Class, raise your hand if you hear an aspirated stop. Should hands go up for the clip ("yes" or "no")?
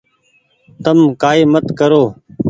no